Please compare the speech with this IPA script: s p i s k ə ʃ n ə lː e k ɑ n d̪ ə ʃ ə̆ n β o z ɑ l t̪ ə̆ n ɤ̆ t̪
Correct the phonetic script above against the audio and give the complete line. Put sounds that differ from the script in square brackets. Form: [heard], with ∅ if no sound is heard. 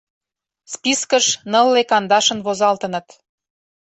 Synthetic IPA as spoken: s p i s k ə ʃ n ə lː e k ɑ n d̪ [ɑ] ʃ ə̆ n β o z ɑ l t̪ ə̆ n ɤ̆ t̪